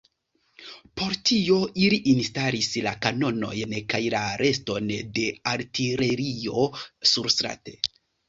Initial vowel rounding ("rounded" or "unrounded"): rounded